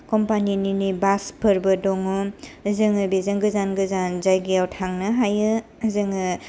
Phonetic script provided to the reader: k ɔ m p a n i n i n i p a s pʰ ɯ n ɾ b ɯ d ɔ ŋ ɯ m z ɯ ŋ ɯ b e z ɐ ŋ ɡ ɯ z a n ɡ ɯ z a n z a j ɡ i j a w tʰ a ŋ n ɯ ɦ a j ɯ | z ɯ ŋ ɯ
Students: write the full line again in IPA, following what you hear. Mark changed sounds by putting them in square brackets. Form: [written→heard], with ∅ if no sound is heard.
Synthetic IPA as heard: k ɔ m p a n i n i n i [p→b] a s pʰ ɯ [n→∅] ɾ b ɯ d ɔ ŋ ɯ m z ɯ ŋ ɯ b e z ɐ ŋ ɡ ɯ z a n ɡ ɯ z a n z a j ɡ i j a w tʰ a ŋ n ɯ ɦ a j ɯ | z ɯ ŋ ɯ